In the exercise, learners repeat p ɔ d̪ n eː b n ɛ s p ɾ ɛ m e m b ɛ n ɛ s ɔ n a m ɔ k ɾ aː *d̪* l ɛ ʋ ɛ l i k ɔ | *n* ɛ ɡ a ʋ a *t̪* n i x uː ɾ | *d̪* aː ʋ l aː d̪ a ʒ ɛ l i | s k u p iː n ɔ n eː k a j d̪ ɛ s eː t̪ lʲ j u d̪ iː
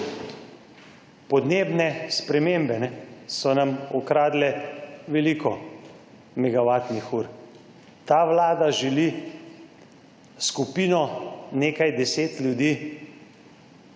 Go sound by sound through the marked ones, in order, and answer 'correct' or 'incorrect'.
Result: correct, incorrect: m, correct, incorrect: t̪

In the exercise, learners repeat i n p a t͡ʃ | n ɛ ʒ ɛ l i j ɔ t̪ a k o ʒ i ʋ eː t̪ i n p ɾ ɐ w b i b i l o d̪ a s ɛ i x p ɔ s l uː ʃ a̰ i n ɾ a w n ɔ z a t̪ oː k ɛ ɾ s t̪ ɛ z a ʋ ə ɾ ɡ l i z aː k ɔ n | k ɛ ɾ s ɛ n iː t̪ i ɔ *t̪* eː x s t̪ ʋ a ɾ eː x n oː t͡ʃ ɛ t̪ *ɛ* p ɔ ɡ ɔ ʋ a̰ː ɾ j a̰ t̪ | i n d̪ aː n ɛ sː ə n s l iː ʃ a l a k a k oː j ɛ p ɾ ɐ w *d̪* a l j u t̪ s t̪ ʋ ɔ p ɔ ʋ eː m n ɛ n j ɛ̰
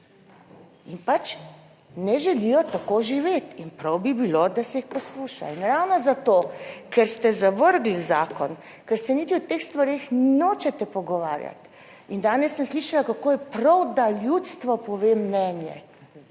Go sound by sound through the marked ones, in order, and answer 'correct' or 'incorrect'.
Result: correct, correct, correct

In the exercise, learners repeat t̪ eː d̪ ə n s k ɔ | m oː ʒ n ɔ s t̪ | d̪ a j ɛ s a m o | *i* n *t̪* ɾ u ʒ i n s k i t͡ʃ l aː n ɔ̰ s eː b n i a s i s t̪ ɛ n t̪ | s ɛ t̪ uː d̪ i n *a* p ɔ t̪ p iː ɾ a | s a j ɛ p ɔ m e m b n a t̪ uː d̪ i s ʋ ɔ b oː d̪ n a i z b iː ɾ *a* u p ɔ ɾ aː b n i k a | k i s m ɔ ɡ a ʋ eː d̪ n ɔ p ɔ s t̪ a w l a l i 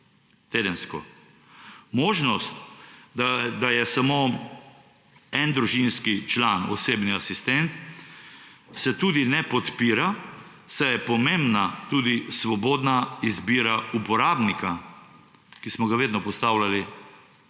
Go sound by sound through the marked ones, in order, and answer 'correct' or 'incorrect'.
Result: incorrect: ɛ, incorrect: d̪, incorrect: ɛ, correct

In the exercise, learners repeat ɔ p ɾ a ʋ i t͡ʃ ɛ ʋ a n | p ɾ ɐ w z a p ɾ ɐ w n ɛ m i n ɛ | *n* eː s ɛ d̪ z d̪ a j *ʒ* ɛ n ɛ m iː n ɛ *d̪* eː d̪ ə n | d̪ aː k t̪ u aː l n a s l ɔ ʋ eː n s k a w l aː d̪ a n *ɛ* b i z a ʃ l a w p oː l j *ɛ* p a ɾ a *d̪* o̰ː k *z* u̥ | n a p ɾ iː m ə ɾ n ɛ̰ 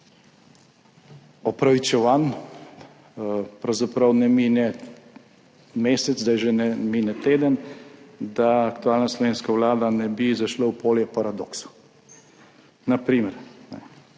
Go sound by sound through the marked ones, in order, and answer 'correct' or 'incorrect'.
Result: incorrect: m, correct, incorrect: t̪, correct, correct, correct, incorrect: s

